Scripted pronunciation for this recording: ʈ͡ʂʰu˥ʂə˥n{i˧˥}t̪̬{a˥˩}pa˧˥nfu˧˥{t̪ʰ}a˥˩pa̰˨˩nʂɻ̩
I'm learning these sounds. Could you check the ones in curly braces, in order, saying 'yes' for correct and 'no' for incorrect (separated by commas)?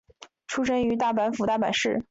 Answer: no, yes, no